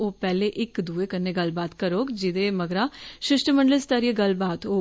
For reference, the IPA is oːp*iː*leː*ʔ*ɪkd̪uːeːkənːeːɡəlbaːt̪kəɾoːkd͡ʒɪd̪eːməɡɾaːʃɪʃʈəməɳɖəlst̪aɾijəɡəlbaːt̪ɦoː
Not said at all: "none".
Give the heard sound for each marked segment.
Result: ɛː, ʔ

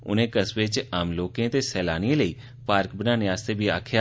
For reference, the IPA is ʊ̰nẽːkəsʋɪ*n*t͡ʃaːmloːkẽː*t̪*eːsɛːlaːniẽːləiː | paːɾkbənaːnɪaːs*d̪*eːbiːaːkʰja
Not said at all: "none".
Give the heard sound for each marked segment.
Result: none, t̪, t̪

